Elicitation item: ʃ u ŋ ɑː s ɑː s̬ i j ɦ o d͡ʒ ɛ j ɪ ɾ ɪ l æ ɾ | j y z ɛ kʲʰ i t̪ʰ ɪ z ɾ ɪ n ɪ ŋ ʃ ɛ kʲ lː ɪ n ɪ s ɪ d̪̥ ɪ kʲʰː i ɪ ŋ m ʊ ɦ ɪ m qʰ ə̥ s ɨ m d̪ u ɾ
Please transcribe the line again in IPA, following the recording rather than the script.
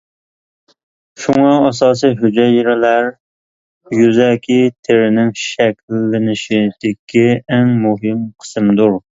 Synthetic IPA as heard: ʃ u ŋ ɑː s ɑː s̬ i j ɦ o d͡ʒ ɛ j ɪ ɾ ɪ l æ ɾ | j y z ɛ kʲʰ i t̪ʰ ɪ ɾ ɪ n ɪ ŋ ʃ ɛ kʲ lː ɪ n ɪ ʃ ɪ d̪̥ ɪ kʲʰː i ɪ ŋ m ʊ ɦ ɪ m qʰ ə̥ s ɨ m d̪ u ɾ